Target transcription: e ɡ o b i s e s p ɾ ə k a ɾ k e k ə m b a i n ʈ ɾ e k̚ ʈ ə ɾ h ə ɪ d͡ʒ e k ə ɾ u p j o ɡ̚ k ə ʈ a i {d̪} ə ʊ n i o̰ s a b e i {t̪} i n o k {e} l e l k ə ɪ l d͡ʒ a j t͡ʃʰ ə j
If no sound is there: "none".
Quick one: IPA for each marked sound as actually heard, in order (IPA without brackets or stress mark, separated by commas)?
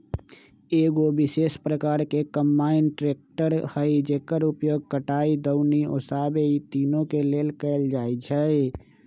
d̪, t̪, e